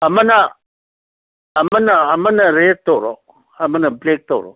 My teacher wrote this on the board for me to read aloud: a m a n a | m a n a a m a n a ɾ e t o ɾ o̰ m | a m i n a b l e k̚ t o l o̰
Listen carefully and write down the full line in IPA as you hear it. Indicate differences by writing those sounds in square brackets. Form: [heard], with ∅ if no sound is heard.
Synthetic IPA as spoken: a m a n a | m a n a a m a n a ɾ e t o ɾ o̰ [∅] | a m [a] n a b l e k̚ t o [ɾ] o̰